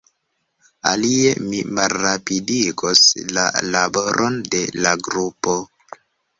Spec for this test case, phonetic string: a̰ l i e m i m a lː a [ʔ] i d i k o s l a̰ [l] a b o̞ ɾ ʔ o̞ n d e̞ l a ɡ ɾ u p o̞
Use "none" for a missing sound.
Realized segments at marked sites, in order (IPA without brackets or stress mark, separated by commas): p, l